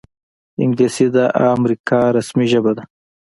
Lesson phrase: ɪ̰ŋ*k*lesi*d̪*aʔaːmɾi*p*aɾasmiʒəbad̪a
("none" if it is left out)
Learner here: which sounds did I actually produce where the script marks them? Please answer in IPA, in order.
ɡ, d̪, k

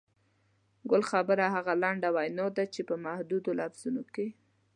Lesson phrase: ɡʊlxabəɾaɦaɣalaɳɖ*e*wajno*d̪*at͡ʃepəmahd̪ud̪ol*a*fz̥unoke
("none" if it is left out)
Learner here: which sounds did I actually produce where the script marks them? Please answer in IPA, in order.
a, d̪, a

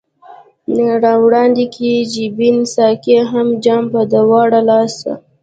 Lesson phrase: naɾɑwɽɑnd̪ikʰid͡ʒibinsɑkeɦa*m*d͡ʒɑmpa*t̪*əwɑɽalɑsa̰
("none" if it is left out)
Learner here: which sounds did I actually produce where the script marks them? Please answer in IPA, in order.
m, d̪

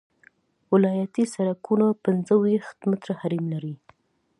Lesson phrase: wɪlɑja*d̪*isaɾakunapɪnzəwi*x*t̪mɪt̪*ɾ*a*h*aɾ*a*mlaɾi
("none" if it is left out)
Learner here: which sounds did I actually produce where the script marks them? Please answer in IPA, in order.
t̪, x, ɾ, h, i

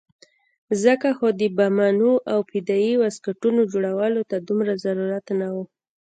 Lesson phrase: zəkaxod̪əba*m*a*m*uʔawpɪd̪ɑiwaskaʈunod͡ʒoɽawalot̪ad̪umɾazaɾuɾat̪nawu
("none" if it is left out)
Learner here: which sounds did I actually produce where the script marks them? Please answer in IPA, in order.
m, n

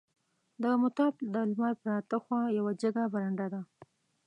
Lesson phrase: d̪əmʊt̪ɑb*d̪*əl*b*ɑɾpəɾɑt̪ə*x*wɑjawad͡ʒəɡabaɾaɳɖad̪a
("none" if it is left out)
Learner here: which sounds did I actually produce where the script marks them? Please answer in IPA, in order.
d̪, m, x

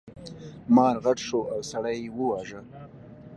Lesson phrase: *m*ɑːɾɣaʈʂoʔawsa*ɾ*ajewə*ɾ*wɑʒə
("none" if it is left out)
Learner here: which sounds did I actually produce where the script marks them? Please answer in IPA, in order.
m, ɽ, none

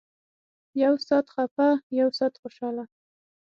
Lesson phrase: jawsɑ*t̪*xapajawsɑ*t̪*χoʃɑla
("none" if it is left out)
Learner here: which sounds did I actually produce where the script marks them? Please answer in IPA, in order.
t̪, t̪

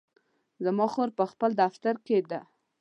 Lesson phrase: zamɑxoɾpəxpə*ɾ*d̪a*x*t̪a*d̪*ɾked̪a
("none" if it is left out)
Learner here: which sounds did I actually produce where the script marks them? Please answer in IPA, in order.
l, f, none

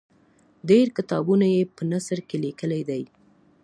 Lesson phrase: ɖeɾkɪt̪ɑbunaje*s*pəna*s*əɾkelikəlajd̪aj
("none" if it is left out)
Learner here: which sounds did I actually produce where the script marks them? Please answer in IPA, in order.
none, s

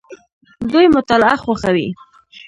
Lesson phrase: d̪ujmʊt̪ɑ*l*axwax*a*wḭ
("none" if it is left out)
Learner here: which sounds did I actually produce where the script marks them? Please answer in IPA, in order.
l, a

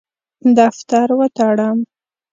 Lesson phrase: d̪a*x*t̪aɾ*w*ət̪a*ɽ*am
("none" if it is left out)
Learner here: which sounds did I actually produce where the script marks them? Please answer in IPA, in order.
f, w, ɽ

